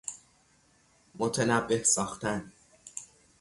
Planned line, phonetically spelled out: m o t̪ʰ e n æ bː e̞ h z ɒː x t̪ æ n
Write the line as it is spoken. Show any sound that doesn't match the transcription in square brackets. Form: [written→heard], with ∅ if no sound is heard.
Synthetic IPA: m o t̪ʰ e n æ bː e̞ h [z→s] ɒː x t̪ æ n